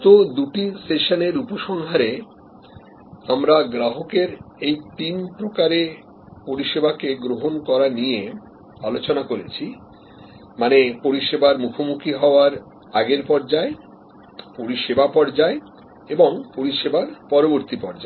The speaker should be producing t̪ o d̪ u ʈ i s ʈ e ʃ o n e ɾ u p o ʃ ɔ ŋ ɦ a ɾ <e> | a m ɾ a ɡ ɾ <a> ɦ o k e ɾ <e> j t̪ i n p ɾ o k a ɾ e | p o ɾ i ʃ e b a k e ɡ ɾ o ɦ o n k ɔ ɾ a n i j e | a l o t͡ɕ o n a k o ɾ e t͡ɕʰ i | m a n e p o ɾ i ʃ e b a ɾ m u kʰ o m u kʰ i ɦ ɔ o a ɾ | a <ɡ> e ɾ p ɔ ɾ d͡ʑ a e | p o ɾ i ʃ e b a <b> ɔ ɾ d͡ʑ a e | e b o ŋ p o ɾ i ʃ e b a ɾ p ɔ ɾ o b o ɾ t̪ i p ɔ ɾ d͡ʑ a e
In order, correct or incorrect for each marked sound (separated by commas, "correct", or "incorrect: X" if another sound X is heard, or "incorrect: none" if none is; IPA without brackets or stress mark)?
correct, correct, correct, correct, incorrect: p